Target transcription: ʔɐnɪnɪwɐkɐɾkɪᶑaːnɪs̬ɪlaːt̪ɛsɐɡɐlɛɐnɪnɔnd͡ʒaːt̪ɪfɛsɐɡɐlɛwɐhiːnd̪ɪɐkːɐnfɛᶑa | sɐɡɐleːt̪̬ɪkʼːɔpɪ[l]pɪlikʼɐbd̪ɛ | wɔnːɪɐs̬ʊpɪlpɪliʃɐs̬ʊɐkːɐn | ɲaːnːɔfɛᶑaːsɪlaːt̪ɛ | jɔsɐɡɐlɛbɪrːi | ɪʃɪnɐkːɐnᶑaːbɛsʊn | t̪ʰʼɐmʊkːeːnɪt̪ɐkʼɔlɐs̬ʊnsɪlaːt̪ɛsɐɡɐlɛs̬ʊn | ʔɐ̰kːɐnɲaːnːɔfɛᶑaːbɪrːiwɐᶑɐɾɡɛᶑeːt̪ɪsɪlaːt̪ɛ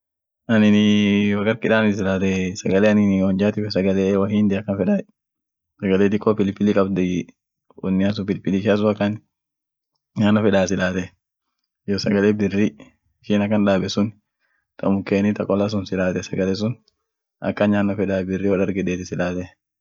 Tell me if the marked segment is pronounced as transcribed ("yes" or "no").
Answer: yes